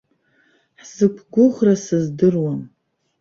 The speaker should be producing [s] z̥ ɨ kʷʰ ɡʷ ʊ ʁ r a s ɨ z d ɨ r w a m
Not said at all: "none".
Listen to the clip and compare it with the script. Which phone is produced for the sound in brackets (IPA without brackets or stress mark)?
ħ